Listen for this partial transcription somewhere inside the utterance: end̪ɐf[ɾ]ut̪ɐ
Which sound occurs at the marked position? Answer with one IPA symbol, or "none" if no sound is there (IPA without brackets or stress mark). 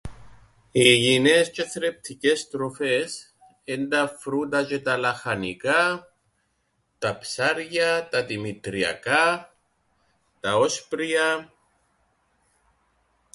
ɾ